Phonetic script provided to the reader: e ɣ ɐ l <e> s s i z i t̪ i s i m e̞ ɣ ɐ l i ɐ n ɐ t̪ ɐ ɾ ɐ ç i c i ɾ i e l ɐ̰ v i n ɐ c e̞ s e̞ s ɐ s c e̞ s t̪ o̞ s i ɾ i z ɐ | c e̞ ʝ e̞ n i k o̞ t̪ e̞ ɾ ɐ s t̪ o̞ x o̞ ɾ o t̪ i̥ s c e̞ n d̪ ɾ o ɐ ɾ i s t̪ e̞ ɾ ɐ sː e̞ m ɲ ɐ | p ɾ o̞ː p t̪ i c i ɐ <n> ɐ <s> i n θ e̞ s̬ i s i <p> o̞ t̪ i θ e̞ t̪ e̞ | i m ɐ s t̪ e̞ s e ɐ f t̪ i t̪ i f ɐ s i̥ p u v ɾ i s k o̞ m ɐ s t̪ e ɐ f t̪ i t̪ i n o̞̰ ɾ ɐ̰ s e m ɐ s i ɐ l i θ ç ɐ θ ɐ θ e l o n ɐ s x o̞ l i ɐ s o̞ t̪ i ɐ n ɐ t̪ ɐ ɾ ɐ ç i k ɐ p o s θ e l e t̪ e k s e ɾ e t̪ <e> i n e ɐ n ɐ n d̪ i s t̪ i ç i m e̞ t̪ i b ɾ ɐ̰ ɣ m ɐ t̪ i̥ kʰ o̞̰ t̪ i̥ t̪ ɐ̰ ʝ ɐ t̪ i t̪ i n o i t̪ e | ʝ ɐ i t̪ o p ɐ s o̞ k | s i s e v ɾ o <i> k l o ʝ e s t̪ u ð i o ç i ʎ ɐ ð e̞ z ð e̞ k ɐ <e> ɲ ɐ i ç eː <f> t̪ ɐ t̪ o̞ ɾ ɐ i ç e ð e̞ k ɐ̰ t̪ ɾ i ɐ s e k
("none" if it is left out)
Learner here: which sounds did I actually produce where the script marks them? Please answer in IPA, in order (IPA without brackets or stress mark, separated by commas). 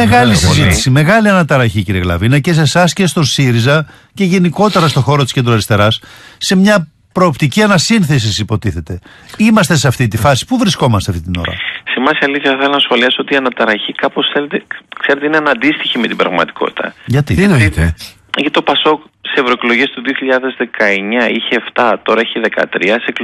i, n, s, p, e, e, e, f